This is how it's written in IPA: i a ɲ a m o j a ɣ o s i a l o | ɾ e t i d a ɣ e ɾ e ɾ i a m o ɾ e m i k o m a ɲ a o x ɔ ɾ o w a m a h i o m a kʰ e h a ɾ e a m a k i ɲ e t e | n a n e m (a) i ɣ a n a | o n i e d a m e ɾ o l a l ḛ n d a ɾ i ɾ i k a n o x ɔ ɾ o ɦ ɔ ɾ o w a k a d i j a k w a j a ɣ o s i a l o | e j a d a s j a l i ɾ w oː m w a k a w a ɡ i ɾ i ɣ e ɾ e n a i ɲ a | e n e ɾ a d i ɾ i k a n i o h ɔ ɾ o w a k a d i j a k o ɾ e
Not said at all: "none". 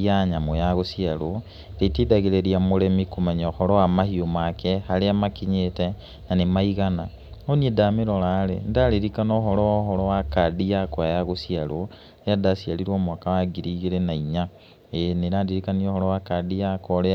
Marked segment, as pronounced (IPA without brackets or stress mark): a